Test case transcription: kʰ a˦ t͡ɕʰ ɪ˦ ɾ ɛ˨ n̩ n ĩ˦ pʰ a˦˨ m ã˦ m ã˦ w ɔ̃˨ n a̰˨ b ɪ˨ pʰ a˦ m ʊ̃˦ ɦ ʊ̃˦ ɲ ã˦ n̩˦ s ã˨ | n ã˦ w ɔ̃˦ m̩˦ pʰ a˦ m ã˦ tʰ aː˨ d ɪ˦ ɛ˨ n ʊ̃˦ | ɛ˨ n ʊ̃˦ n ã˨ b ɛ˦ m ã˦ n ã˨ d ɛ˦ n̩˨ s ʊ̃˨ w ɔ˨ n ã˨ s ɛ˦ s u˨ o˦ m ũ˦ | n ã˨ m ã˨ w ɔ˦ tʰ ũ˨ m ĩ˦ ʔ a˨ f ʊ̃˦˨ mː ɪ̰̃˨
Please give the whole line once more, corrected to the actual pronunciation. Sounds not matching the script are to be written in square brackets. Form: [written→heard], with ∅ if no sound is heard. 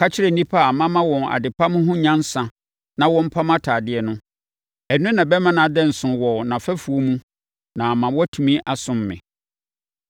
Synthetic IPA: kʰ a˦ t͡ɕʰ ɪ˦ ɾ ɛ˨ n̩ n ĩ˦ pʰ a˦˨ m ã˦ m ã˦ w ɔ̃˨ n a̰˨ [b→d] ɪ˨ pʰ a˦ m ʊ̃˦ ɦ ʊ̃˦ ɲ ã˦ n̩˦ s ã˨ | n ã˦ w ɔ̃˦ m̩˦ pʰ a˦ m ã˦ tʰ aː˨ d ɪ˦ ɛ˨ n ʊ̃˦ | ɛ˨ n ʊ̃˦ n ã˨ b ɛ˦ m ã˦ n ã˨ d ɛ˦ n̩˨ s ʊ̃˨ w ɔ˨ n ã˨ [s→f] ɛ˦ [s→f] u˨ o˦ m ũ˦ | n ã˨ m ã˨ w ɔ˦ tʰ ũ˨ m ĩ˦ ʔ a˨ [f→s] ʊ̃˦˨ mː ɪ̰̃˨